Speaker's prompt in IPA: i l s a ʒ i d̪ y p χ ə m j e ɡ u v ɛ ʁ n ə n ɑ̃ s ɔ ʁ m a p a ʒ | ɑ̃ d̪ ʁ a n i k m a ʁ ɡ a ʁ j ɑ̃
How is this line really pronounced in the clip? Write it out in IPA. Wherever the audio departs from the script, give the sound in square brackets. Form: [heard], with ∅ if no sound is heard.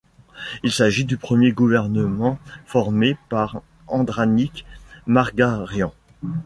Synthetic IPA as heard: i l s a ʒ i d̪ y p χ ə m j e ɡ u v ɛ ʁ n ə [m] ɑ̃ [f] ɔ ʁ m [e] p a [ʁ] | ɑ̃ d̪ ʁ a n i k m a ʁ ɡ a ʁ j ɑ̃